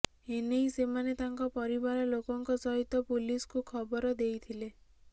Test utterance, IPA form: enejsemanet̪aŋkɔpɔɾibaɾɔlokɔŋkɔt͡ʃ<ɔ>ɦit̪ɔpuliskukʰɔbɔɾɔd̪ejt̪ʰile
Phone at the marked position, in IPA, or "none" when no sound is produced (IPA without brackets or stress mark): ɔ